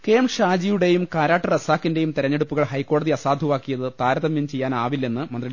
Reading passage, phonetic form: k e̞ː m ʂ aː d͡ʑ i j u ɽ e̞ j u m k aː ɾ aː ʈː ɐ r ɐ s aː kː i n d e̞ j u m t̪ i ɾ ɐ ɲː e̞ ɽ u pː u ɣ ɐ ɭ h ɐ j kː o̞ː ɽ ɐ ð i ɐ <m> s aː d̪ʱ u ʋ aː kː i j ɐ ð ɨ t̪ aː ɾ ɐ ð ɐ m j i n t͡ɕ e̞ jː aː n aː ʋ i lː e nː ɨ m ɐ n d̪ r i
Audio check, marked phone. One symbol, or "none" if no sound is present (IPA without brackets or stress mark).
none